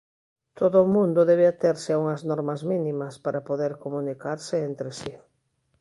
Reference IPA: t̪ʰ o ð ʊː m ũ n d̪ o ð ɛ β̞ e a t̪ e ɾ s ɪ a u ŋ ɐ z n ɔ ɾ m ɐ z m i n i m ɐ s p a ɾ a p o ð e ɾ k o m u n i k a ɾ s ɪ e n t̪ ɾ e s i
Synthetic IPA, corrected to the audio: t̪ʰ o ð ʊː m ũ n d̪ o ð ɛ β̞ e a t̪ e ɾ s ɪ a u ŋ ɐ z n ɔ ɾ m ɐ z m i n i m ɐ s p a ɾ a p o ð e ɾ k o m u n i k a ɾ s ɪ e n t̪ ɾ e s i